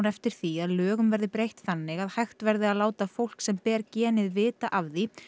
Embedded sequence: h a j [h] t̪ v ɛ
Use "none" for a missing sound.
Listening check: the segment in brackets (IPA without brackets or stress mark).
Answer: x